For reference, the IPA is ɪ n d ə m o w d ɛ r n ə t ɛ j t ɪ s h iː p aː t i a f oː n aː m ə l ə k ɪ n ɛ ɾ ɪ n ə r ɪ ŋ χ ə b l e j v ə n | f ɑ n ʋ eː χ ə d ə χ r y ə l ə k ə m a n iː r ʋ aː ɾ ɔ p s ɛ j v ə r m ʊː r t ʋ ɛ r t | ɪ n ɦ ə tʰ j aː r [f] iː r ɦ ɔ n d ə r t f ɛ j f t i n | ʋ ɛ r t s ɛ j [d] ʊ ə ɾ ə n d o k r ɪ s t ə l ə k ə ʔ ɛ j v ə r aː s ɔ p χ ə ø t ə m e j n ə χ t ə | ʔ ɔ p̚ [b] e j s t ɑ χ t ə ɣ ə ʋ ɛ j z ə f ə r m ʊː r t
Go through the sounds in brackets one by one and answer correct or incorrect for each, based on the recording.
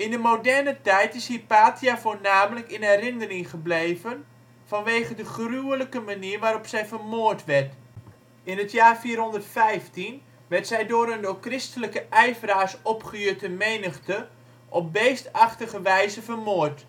correct, correct, correct

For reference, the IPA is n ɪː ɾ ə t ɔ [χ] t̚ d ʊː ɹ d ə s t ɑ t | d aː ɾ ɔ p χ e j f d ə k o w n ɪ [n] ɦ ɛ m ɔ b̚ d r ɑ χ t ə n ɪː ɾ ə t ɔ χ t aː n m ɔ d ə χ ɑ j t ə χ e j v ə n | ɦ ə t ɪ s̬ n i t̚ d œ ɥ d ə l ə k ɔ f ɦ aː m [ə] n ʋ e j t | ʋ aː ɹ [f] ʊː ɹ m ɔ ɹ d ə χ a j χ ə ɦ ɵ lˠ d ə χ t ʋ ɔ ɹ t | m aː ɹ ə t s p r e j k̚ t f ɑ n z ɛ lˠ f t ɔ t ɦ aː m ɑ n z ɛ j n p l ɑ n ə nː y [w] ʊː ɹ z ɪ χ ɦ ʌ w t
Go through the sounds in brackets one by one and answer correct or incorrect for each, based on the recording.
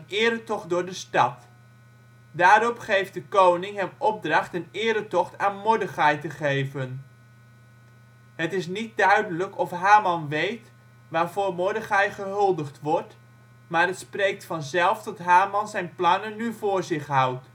correct, incorrect: ŋ, incorrect: ɑ, incorrect: v, incorrect: v

